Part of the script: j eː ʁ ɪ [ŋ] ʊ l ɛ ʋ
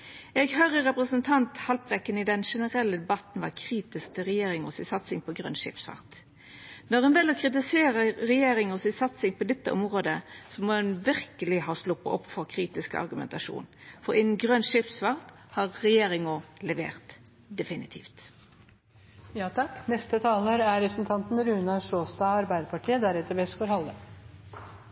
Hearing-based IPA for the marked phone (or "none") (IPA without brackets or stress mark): ŋ